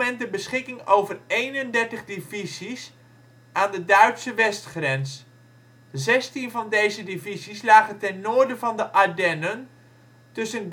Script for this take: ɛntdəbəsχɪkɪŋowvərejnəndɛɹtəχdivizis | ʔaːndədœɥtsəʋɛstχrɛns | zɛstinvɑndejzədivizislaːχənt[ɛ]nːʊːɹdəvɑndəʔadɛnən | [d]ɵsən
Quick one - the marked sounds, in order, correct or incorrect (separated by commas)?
correct, incorrect